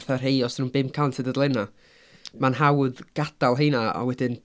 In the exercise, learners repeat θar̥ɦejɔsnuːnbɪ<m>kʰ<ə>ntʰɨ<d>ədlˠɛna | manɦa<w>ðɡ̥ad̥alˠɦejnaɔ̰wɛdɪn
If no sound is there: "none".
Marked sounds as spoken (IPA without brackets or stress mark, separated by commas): m, a, d, w